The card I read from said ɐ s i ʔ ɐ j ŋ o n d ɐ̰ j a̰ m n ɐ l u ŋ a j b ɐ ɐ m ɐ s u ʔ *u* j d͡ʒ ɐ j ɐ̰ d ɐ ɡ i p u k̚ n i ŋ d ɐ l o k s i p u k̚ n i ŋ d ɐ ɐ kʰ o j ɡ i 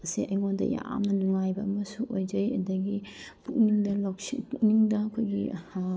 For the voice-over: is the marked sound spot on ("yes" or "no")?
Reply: no